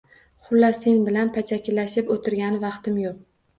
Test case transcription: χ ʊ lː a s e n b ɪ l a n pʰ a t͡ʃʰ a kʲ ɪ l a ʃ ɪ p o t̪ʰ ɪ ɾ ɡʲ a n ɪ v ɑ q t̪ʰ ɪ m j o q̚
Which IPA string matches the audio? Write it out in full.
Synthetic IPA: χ ʊ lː a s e n b ɪ l a n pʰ a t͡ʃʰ a kʲ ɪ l a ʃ ɪ p o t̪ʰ ɪ ɾ ɡʲ a n ɪ v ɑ q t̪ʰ ɪ m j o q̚